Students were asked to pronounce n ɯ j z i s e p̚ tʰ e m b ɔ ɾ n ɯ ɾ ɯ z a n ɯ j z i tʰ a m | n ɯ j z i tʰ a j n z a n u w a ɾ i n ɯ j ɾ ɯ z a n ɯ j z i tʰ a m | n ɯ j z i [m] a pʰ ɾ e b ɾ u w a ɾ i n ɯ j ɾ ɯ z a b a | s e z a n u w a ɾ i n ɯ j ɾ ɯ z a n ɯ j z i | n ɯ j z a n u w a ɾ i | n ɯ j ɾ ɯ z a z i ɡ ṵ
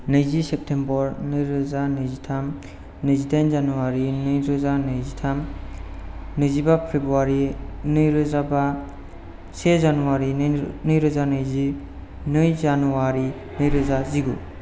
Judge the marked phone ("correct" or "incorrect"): incorrect